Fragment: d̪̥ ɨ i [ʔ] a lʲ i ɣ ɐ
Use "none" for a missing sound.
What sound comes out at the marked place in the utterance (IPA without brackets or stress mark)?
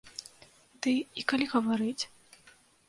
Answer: k